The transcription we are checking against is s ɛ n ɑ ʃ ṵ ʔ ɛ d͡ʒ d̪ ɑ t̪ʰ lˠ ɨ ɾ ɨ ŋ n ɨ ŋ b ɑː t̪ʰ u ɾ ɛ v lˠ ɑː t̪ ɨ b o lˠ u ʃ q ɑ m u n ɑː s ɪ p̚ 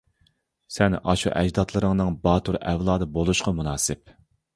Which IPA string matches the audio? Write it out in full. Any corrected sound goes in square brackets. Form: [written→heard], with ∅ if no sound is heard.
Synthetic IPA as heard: s ɛ n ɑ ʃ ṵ ʔ ɛ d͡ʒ d̪ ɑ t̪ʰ lˠ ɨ ɾ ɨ ŋ n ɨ ŋ b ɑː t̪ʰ u ɾ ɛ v lˠ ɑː [t̪→d̪] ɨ b o lˠ u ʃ q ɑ m u n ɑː s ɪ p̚